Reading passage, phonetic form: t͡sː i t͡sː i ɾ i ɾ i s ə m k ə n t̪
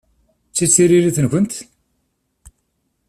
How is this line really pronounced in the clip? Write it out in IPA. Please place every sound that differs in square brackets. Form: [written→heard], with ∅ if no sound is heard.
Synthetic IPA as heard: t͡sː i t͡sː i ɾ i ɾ i [s→θ] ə [m→n] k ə n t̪